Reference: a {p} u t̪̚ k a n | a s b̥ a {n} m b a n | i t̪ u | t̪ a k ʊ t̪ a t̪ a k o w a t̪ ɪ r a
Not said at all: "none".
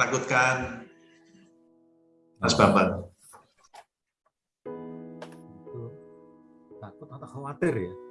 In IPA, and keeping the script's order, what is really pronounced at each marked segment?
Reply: k, none

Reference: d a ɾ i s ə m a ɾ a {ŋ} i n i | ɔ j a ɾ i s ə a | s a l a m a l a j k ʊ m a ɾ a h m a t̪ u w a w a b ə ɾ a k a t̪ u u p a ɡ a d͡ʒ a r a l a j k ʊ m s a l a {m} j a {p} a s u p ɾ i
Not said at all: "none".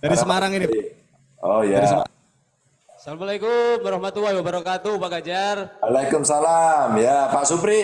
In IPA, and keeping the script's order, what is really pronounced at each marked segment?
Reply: ŋ, m, p

